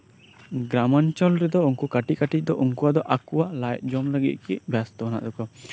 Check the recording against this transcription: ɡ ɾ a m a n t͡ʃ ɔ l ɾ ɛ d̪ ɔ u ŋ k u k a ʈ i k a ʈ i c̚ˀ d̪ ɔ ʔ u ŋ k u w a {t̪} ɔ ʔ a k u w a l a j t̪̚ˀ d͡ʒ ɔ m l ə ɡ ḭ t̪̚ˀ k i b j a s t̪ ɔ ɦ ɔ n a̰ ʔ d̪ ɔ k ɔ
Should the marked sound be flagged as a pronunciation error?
yes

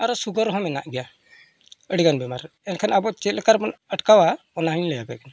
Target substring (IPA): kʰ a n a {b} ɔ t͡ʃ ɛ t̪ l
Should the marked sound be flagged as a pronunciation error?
no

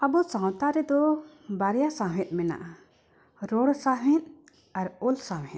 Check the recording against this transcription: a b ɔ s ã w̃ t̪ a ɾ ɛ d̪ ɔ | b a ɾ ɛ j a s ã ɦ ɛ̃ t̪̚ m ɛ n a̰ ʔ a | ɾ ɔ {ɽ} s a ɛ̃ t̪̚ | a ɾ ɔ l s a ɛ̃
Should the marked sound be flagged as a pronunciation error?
no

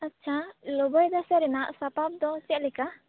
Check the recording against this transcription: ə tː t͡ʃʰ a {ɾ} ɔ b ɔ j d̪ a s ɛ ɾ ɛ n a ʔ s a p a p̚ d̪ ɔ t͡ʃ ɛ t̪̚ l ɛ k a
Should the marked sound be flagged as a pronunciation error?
yes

